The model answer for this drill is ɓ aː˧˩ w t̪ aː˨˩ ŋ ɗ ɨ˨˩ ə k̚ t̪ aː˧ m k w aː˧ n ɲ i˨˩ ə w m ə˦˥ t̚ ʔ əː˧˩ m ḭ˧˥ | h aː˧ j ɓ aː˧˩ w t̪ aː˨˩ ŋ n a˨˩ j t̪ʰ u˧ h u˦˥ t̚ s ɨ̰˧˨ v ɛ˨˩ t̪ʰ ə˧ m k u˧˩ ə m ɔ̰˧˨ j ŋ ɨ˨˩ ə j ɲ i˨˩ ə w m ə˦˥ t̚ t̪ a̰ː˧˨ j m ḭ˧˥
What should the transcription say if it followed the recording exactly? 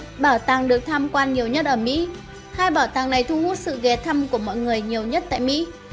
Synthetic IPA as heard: ɓ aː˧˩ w t̪ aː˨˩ ŋ ɗ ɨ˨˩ ə k̚ t̪ʰ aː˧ m k w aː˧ n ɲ i˨˩ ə w ɲ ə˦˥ t̚ ʔ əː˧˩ m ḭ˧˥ | h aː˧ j ɓ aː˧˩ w t̪ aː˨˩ ŋ n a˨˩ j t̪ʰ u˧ h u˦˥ t̚ s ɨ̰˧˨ ɣ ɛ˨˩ t̪ʰ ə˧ m k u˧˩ ə m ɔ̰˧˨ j ŋ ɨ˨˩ ə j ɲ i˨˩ ə w ɲ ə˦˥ t̚ t̪ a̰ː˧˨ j m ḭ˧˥